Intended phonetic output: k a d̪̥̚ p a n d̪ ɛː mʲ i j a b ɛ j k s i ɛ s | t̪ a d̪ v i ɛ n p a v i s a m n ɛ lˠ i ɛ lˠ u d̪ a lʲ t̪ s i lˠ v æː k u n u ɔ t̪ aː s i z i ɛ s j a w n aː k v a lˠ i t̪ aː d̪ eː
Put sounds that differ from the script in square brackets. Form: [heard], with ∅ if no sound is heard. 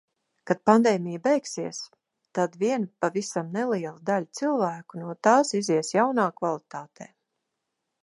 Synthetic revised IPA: k a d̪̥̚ p a n d̪ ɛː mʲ i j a b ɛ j k s i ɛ s | t̪ a d̪ v i ɛ n p a v i s a m n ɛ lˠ i ɛ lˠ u d̪ a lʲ t̪ s i lˠ v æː k u n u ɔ t̪ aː s i z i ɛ s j a w n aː k v a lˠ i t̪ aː [t̪] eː